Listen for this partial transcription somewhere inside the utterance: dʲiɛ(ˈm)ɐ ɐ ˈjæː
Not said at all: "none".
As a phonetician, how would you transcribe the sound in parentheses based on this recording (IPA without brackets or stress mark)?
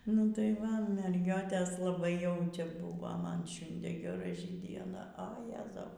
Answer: n